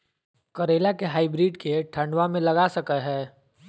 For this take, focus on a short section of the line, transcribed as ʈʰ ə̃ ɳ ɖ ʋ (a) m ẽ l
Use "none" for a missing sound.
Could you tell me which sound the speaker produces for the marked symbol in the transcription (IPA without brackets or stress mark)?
a